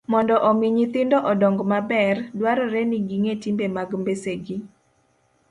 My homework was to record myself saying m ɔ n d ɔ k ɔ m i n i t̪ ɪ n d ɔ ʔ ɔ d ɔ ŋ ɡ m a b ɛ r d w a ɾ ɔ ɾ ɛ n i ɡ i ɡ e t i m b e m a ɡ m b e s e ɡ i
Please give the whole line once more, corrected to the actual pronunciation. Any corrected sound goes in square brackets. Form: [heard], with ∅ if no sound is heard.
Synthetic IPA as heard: m ɔ n d ɔ [ʔ] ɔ m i [ɲ] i t̪ ɪ n d ɔ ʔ ɔ d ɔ ŋ ɡ m a b ɛ r d w a ɾ ɔ ɾ ɛ n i ɡ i [ŋ] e t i m b e m a ɡ m b e s e ɡ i